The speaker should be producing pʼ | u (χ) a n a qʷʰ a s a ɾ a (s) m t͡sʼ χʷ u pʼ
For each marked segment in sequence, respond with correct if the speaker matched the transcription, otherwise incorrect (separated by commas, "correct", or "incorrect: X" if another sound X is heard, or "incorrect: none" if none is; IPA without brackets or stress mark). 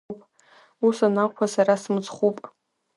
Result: incorrect: s, correct